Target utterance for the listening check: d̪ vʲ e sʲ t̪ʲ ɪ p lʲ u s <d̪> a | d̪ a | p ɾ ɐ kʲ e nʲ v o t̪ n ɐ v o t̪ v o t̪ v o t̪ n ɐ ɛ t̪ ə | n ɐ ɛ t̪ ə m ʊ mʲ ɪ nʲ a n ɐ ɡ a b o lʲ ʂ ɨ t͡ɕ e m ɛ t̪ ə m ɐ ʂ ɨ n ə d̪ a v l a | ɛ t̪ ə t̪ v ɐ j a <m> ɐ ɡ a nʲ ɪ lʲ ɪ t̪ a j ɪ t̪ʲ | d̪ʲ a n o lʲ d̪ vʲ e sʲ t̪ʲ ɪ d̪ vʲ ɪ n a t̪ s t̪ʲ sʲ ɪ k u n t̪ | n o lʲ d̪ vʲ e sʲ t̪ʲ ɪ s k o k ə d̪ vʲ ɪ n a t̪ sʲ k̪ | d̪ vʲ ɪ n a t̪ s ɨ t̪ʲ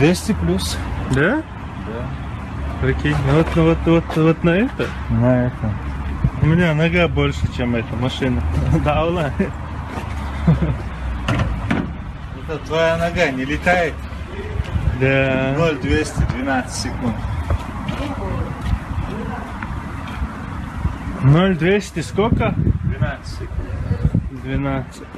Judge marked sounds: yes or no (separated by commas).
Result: yes, no